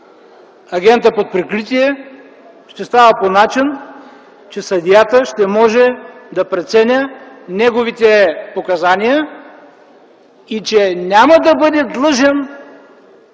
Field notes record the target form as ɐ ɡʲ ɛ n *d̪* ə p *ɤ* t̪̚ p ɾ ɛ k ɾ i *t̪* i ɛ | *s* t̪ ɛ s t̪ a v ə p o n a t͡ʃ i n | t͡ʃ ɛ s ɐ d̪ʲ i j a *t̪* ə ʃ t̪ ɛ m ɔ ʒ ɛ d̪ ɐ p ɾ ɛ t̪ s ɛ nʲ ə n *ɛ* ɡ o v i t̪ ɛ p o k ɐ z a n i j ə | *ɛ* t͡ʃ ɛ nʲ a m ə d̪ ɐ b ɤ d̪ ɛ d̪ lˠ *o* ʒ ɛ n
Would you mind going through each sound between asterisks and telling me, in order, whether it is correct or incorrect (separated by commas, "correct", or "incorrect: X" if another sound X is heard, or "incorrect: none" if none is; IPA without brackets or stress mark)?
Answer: incorrect: t̪, incorrect: o, correct, incorrect: ʃ, correct, correct, incorrect: i, incorrect: ɤ